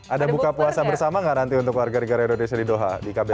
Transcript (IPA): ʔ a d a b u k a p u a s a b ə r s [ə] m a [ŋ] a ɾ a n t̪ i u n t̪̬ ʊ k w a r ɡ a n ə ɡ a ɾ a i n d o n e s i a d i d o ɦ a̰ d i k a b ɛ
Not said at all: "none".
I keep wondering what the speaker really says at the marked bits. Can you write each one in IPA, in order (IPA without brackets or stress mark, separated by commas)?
a, ŋ